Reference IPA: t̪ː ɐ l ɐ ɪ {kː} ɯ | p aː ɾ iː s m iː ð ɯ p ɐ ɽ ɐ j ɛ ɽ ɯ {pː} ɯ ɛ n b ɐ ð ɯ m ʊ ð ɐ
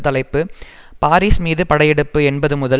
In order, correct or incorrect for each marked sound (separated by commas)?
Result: incorrect, correct